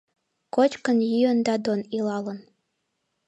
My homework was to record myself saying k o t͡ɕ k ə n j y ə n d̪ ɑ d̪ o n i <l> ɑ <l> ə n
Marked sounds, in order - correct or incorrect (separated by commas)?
correct, correct